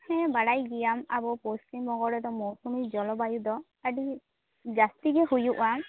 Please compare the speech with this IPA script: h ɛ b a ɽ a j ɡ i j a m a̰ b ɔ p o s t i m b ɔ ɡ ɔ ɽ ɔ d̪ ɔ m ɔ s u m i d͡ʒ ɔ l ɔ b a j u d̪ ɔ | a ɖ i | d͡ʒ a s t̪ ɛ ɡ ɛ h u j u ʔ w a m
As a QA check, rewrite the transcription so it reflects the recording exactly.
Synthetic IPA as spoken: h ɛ b a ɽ a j ɡ i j a m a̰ b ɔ p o s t i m b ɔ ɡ ɔ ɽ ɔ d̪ ɔ m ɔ s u m i d͡ʒ ɔ l ɔ b a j u d̪ ɔ | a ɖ i | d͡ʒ a s t̪ i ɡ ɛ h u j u ʔ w a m